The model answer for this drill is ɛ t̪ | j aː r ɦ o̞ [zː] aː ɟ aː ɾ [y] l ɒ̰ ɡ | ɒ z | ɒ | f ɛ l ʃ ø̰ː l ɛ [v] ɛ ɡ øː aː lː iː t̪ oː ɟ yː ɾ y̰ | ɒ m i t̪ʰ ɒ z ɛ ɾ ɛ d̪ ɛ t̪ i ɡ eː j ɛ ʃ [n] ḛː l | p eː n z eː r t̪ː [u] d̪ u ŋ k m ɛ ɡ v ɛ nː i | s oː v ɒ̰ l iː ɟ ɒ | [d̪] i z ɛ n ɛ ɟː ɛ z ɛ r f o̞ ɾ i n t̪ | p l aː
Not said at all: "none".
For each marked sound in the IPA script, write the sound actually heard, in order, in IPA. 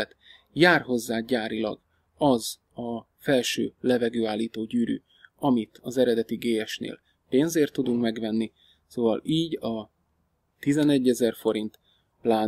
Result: zː, i, v, n, u, t̪

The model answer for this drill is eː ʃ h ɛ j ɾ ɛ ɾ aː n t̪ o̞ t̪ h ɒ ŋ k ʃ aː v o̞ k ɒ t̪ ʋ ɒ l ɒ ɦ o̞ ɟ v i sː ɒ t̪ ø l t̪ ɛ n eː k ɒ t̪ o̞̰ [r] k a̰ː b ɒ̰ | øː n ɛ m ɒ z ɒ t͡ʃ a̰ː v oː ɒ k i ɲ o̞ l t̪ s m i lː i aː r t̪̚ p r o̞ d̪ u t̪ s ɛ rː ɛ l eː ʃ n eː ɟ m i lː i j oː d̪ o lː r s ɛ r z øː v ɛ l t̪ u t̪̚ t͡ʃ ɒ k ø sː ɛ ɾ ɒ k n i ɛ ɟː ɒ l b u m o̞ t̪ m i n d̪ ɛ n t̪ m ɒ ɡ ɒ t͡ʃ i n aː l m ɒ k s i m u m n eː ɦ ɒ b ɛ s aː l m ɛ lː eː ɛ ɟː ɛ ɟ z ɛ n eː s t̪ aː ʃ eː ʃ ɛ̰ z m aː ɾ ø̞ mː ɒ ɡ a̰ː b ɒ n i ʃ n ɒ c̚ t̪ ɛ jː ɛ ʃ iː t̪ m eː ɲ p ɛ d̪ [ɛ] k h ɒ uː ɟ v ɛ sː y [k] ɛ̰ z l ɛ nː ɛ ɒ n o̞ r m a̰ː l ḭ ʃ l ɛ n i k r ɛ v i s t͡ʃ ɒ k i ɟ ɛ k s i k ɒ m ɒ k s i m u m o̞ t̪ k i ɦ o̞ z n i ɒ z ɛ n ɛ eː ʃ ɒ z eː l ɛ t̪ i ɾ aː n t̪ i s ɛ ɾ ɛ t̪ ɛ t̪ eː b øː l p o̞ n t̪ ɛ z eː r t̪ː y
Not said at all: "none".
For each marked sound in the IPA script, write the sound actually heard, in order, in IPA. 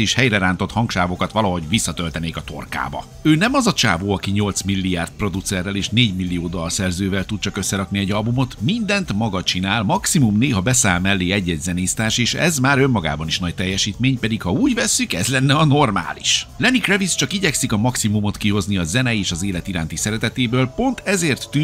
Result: r, i, k

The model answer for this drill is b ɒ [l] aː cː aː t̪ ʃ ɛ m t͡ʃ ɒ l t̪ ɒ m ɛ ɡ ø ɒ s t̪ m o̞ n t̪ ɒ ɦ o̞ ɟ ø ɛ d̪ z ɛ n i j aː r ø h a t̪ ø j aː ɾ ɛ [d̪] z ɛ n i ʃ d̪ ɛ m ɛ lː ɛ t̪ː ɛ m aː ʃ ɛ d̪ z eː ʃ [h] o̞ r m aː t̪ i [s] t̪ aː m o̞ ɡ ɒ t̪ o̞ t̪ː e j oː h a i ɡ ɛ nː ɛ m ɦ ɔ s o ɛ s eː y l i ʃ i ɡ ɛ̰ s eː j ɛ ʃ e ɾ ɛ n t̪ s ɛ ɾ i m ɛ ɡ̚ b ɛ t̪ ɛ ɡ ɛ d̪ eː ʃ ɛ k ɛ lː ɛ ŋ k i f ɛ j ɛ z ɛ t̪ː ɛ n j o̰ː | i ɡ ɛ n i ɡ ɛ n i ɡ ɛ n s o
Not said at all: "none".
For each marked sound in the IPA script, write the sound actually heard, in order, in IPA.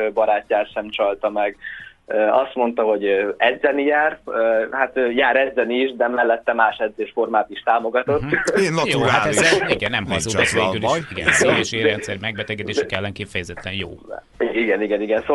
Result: ɾ, d̪, f, ʃ

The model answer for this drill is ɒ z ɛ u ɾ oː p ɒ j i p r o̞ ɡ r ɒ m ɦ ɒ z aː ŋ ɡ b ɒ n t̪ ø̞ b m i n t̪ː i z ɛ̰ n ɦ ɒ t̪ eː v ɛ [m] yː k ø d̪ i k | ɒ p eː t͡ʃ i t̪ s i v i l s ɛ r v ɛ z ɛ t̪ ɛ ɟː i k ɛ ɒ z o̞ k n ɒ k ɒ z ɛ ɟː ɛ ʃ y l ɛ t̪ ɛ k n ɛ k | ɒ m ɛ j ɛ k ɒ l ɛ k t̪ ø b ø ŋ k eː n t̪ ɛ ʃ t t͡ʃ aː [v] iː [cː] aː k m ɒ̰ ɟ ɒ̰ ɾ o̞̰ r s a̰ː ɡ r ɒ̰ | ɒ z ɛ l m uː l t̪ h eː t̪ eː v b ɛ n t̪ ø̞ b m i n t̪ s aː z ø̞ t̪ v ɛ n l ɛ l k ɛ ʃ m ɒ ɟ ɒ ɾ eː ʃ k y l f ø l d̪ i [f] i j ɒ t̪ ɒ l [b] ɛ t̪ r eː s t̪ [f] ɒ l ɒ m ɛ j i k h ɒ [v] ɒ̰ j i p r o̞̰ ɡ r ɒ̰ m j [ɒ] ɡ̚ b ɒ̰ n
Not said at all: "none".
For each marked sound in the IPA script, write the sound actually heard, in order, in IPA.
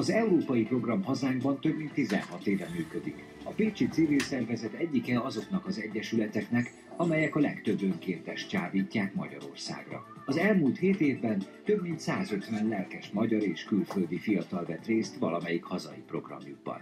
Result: m, v, cː, f, v, v, z, u

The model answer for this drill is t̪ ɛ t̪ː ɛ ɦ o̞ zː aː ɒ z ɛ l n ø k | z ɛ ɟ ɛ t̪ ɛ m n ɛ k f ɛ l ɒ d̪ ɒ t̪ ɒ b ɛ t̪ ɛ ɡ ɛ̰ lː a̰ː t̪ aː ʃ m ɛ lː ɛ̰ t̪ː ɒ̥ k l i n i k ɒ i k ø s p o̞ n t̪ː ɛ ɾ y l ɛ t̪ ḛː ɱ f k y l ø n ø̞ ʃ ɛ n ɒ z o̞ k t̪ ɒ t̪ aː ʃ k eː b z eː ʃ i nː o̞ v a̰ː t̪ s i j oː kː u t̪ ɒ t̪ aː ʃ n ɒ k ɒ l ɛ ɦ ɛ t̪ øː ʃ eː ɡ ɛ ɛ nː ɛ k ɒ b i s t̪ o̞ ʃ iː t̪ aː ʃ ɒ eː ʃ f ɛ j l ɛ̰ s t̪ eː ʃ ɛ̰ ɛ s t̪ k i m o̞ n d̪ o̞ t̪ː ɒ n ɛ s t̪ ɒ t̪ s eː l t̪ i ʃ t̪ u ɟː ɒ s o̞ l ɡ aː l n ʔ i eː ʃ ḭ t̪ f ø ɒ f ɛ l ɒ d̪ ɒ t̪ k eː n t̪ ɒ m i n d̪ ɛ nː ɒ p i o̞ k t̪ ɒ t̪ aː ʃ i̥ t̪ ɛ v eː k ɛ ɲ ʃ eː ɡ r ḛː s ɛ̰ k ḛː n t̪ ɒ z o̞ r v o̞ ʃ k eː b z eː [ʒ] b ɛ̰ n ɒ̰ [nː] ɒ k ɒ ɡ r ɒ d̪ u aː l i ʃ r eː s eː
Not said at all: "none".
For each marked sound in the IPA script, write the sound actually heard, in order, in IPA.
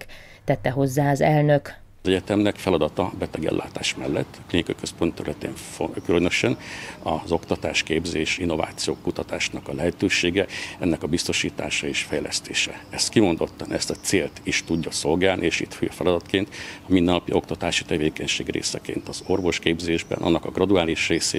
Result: ʒ, nː

